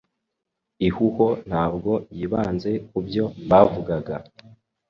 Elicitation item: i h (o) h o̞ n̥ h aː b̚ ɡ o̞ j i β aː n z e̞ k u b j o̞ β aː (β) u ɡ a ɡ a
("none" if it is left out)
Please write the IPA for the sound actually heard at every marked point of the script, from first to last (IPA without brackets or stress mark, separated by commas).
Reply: u, v